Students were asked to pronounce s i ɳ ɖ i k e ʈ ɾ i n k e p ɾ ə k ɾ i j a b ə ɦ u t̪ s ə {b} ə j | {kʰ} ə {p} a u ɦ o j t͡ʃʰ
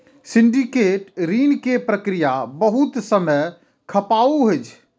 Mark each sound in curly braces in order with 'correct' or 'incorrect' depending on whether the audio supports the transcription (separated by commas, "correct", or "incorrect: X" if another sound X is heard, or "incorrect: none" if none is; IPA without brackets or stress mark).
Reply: incorrect: m, correct, correct